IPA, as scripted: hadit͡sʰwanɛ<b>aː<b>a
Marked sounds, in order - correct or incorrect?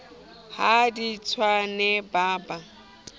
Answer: correct, correct

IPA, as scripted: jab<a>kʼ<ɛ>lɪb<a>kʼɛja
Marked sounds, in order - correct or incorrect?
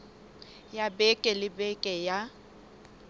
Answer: incorrect, correct, incorrect

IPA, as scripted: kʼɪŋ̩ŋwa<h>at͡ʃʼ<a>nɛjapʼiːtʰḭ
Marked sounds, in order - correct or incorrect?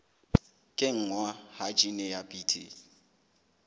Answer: correct, incorrect

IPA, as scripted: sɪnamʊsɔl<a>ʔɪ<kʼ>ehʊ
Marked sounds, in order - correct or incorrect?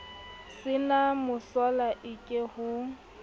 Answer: correct, correct

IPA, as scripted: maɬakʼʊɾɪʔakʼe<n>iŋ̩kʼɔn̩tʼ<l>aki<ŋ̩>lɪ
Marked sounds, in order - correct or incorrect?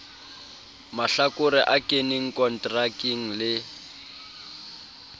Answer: correct, incorrect, correct

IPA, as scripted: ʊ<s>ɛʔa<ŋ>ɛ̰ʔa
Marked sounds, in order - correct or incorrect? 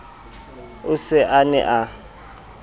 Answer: correct, incorrect

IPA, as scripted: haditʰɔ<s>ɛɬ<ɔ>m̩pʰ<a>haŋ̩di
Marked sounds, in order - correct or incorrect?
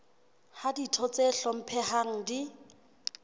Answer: incorrect, correct, incorrect

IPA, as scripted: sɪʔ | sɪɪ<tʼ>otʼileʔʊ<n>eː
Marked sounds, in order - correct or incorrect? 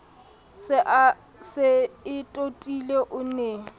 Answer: correct, correct

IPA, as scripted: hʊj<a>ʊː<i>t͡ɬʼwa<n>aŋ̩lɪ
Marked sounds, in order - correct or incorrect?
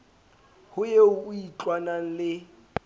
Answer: incorrect, correct, correct

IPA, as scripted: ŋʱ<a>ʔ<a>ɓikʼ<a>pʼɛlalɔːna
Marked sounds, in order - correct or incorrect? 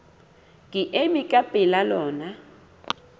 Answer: incorrect, incorrect, correct

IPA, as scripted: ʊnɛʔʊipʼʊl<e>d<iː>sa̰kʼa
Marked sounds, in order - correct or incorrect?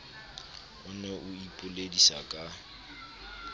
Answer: correct, incorrect

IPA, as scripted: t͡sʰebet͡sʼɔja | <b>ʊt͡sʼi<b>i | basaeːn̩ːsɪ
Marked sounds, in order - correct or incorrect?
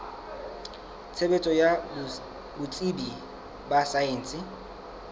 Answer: correct, correct

